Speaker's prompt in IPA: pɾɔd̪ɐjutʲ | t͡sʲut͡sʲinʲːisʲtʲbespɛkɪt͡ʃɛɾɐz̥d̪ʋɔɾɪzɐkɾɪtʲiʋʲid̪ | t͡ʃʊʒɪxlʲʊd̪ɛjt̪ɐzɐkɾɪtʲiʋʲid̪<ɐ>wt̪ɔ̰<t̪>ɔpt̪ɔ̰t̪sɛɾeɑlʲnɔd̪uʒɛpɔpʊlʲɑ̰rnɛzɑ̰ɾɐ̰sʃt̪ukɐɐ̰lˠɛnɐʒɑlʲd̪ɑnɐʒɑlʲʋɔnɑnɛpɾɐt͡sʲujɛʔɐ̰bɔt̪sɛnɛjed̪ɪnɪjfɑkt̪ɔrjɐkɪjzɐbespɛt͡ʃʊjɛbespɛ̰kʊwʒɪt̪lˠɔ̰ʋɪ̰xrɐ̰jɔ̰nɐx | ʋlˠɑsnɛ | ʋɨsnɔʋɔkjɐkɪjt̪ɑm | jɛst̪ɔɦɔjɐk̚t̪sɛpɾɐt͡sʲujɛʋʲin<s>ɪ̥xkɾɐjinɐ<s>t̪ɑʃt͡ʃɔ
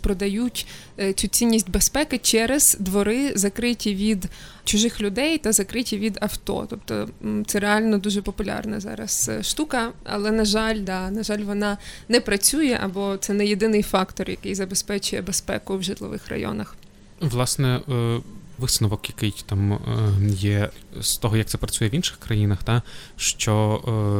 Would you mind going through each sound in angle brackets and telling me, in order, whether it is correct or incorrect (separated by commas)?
correct, correct, incorrect, incorrect